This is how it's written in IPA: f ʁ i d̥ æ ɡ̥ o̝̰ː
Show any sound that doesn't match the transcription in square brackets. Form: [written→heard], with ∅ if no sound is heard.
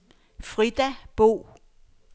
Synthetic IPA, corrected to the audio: f ʁ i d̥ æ [ɡ̥→b̥] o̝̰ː

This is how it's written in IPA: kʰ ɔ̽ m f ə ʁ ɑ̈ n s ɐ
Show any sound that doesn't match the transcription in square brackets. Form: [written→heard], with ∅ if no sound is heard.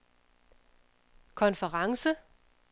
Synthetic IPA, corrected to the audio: kʰ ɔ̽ [m→n] f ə ʁ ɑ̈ [n→ŋ] s [ɐ→ə]

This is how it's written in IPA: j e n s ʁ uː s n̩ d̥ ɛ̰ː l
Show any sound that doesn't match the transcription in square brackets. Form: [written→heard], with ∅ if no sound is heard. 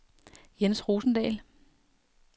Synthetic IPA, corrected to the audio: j e n s ʁ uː s n̩ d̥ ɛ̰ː l

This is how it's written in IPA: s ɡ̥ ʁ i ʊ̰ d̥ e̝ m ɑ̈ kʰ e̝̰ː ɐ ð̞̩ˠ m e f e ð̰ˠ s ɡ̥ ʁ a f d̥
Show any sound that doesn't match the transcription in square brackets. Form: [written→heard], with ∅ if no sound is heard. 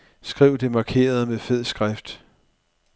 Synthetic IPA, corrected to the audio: s ɡ̥ ʁ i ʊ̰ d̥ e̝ m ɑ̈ kʰ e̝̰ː ɐ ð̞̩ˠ m e f e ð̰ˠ s ɡ̥ ʁ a f d̥

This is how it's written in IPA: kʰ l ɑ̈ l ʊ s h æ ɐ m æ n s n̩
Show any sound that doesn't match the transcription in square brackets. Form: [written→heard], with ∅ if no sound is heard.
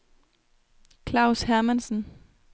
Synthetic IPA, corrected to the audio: kʰ l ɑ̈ [l→∅] ʊ s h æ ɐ m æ n s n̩

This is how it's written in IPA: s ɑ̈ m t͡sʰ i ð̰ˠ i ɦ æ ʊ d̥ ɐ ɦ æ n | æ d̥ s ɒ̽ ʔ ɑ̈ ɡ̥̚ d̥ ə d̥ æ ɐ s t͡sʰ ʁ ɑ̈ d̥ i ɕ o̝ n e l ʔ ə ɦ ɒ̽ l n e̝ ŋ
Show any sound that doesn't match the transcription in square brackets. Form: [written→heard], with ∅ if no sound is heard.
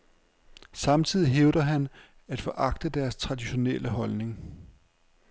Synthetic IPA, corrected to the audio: s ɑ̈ m t͡sʰ i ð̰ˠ i ɦ [æ→e] ʊ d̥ ɐ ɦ æ n | æ d̥ [s→f] ɒ̽ ʔ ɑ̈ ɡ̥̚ d̥ ə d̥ æ ɐ s t͡sʰ ʁ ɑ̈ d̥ i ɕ o̝ n e l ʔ ə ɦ ɒ̽ l n e̝ ŋ

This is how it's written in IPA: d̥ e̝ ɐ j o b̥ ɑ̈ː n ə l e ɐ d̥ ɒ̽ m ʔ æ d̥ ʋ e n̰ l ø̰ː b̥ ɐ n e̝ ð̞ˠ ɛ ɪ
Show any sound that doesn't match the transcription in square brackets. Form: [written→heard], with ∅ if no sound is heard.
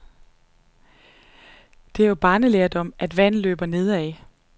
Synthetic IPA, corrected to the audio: d̥ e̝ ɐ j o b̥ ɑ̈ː n ə l e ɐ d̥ ɒ̽ m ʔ æ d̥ ʋ [e→æ] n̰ l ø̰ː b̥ ɐ n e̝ ð̞ˠ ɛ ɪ

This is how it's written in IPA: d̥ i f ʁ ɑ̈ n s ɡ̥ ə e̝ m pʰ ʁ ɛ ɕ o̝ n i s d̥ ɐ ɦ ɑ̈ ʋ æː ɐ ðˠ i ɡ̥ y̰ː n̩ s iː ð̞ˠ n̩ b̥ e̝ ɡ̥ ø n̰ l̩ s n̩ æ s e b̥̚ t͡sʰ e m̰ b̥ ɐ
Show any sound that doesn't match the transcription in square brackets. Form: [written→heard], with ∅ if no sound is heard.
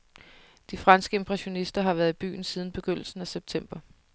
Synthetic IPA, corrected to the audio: d̥ i f ʁ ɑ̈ n s ɡ̥ ə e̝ m pʰ ʁ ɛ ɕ o̝ n i s d̥ ɐ ɦ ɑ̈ ʋ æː ɐ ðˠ i [ɡ̥→b̥] y̰ː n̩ s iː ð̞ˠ n̩ b̥ e̝ ɡ̥ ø n̰ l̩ s n̩ æ s e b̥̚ t͡sʰ e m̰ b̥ ɐ

